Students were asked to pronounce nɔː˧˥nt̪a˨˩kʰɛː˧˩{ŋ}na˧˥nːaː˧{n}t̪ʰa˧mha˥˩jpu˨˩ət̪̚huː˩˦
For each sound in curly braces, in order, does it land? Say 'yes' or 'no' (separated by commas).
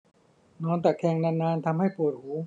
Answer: yes, yes